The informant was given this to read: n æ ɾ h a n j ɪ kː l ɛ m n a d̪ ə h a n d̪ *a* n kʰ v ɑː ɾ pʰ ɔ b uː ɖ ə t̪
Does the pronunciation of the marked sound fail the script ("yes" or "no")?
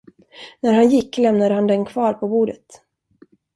yes